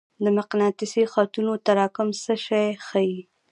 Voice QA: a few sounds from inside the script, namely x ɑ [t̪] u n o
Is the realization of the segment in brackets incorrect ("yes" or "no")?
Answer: no